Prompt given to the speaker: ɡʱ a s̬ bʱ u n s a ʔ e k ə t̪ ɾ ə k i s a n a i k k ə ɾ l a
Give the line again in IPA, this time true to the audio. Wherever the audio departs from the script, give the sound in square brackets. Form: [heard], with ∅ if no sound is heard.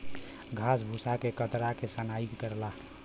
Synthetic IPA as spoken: ɡʱ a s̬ bʱ u [∅] s a [k] e k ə t̪ ɾ [a] k [e] s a n a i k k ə ɾ l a